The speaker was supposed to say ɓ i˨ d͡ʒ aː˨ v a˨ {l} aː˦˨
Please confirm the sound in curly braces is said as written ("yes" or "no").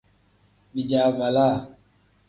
yes